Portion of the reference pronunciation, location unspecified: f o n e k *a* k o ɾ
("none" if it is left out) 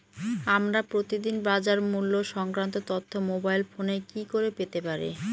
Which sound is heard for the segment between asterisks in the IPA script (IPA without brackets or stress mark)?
i